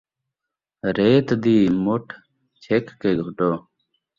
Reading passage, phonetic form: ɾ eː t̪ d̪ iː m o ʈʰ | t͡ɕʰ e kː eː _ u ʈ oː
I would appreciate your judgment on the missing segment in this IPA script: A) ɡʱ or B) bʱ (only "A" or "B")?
A